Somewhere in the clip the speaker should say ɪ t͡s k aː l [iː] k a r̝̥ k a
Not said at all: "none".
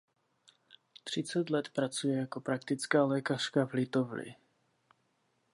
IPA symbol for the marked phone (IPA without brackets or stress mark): ɛː